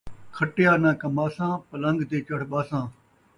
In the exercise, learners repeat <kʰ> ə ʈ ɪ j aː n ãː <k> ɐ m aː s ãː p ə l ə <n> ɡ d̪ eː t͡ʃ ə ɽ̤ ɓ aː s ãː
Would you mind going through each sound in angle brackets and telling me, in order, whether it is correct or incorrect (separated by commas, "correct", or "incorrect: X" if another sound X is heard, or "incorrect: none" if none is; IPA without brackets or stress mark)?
correct, correct, incorrect: ŋ